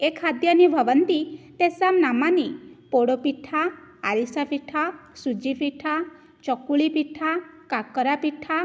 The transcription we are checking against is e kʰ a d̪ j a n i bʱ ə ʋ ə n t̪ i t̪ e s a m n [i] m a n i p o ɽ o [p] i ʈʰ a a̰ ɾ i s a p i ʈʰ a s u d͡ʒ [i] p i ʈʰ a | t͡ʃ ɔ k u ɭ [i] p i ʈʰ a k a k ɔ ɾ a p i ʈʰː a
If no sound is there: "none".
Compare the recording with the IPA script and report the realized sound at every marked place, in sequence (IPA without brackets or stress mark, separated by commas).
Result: a, p, i, i